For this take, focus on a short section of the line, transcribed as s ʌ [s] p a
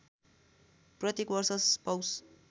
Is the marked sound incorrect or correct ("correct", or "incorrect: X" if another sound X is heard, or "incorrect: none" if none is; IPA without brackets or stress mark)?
correct